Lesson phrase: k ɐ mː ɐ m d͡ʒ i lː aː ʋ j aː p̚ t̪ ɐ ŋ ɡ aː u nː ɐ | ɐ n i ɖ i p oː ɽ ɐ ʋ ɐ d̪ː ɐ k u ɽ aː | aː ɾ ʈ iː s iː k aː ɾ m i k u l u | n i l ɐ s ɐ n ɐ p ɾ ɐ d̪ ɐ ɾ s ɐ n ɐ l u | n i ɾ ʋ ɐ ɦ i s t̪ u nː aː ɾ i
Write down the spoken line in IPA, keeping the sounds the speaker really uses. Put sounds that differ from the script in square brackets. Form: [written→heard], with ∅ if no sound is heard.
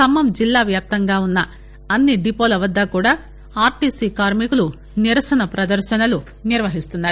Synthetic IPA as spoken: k ɐ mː ɐ m d͡ʒ i lː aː ʋ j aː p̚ t̪ ɐ ŋ ɡ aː u nː ɐ | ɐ [n→nː] i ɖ i p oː [ɽ→l] ɐ ʋ ɐ d̪ː ɐ k [u→uː] ɽ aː | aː ɾ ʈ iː s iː k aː ɾ m i k u l u | n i [l→ɾ] ɐ s ɐ n ɐ p ɾ ɐ d̪ ɐ ɾ [s→ʃ] ɐ n ɐ l u | n i ɾ ʋ ɐ ɦ i s t̪ u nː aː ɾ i